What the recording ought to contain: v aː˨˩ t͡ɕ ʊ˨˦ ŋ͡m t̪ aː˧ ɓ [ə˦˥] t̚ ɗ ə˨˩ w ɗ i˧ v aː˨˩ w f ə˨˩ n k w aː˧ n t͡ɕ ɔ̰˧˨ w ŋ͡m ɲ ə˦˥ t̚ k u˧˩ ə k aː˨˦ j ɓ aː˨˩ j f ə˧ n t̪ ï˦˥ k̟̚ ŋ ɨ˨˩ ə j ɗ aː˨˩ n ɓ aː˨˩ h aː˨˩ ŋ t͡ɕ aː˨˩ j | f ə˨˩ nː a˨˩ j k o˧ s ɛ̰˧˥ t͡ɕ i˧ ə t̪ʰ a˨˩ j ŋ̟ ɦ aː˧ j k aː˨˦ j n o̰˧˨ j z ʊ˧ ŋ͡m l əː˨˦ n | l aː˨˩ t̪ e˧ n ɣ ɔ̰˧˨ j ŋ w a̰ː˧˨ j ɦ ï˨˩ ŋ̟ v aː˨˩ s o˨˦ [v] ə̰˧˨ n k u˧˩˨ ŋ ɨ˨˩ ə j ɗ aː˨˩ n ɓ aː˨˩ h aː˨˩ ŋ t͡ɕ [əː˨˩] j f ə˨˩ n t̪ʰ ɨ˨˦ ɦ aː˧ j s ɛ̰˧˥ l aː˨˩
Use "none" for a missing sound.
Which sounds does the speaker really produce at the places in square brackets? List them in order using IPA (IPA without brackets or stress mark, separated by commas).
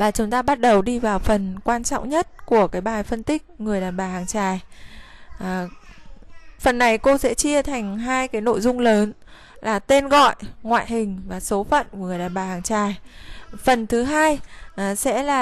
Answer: a˦˥, f, aː˨˩